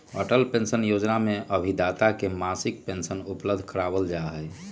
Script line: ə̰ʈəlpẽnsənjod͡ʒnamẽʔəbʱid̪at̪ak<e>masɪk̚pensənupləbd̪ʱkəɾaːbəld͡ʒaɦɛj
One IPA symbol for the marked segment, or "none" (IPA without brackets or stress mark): e